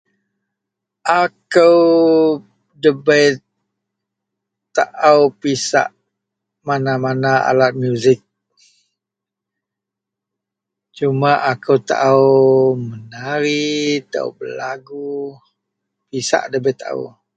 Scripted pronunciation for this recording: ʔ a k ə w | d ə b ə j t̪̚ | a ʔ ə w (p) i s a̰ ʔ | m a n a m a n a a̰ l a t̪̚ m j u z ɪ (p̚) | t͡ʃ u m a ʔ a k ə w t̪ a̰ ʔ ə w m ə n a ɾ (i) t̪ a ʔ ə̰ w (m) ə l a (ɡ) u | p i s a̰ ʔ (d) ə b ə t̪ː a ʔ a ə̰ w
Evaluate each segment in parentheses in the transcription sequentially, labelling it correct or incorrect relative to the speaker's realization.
correct, incorrect: k̚, correct, incorrect: b, correct, correct

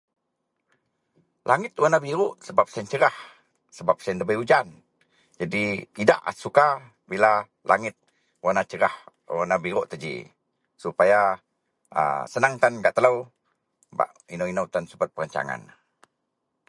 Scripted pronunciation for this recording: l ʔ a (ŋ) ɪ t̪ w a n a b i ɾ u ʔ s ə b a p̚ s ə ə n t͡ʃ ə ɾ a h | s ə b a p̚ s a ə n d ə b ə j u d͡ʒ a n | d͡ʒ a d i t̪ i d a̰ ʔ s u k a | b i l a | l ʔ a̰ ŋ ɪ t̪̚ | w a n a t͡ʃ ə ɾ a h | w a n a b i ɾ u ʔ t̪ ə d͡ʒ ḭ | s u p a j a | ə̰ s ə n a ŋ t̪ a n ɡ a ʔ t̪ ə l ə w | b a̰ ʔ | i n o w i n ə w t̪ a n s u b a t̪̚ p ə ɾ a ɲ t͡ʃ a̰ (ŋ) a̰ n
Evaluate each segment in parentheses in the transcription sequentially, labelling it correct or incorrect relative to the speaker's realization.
correct, correct

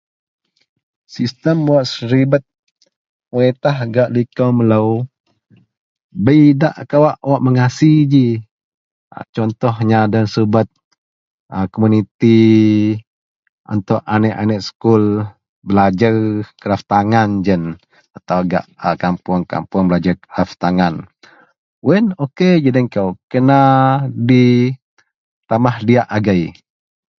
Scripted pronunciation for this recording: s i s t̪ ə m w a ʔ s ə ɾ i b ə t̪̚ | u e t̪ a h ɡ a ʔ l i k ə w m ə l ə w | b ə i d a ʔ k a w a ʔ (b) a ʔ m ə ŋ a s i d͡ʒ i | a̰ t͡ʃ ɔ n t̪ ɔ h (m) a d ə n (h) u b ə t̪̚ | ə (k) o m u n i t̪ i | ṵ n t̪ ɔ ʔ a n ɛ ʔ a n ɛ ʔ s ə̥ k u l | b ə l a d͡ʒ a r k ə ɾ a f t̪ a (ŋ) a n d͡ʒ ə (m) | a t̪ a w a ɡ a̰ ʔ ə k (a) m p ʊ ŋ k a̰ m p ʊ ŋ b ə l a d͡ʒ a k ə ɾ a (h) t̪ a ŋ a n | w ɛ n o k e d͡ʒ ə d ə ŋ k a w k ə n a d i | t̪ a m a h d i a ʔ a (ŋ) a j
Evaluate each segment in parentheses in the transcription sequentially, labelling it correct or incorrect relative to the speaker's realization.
incorrect: w, incorrect: ɲ, incorrect: s, correct, correct, incorrect: n, correct, incorrect: f, incorrect: ɡ

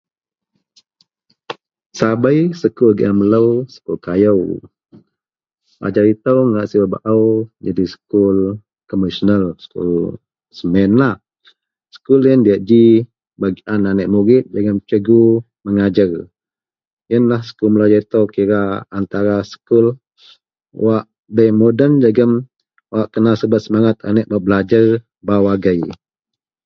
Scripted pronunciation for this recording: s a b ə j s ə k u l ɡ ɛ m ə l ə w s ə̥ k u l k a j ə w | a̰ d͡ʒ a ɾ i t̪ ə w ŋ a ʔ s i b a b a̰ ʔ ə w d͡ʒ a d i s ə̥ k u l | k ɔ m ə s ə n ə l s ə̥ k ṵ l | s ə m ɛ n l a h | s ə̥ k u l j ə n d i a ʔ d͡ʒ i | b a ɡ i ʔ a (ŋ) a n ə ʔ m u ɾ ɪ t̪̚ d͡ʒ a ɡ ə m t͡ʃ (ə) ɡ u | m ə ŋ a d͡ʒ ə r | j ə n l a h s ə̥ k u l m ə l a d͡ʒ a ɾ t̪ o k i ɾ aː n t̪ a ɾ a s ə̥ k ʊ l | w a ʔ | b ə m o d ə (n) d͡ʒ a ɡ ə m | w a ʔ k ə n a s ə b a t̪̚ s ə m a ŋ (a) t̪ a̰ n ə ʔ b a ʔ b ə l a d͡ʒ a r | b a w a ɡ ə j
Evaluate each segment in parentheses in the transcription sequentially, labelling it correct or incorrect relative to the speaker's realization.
incorrect: n, correct, correct, correct

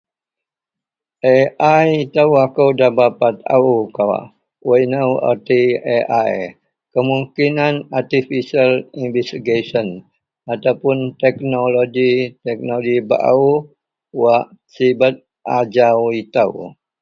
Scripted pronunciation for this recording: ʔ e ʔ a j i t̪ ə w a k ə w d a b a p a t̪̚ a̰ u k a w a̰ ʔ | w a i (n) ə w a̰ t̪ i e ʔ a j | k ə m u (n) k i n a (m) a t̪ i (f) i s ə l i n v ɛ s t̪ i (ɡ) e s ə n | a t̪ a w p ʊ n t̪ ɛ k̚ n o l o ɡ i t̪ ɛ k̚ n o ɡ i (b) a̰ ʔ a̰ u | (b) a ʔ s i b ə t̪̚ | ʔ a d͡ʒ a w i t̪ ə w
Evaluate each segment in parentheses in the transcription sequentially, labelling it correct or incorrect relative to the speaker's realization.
correct, incorrect: ŋ, incorrect: n, correct, correct, correct, incorrect: w

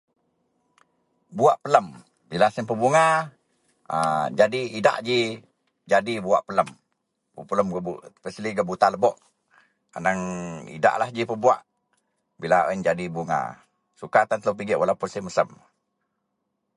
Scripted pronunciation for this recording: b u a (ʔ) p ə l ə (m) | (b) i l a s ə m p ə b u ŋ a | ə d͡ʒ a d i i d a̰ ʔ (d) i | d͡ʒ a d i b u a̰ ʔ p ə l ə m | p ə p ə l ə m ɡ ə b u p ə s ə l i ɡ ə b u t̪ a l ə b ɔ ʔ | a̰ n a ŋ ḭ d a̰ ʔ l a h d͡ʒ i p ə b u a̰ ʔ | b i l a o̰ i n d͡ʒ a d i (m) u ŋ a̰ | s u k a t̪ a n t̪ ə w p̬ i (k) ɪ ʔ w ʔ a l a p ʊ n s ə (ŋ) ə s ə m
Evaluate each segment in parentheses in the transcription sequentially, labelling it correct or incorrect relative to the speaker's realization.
correct, correct, correct, incorrect: d͡ʒ, incorrect: b, incorrect: ɡ, incorrect: m

